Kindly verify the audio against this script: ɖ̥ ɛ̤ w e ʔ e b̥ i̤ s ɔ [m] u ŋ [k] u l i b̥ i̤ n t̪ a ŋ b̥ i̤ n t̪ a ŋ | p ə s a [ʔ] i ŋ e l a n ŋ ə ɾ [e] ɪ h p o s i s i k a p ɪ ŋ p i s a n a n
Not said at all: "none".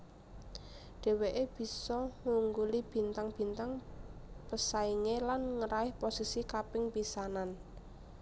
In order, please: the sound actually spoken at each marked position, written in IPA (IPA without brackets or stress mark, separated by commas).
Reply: ŋ, ɡ, none, a